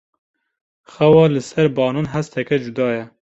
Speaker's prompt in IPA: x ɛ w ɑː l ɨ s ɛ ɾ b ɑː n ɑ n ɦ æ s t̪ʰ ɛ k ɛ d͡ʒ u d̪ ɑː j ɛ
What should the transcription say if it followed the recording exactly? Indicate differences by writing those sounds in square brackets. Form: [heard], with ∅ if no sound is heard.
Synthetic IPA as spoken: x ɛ w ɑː l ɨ s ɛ ɾ b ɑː n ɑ n ɦ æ s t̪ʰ ɛ k ɛ d͡ʒ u d̪ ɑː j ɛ